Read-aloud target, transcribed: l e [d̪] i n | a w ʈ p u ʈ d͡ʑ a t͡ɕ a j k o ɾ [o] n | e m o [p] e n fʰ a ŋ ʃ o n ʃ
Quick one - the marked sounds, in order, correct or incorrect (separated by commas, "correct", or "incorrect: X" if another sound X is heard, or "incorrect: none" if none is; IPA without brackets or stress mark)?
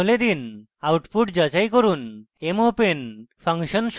correct, incorrect: u, correct